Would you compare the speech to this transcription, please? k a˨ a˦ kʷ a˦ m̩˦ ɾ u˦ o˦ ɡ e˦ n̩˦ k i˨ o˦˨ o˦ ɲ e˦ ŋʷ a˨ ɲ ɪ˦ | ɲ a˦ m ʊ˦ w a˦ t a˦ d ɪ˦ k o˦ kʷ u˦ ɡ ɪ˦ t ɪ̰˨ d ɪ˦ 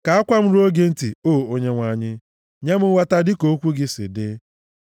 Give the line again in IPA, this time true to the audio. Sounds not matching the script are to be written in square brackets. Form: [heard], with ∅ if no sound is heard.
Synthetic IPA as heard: k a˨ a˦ kʷ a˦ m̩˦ ɾ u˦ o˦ ɡ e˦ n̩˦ [t] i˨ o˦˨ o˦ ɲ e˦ ŋʷ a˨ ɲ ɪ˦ | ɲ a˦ m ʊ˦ w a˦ t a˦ d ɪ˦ k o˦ kʷ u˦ ɡ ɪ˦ [s] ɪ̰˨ d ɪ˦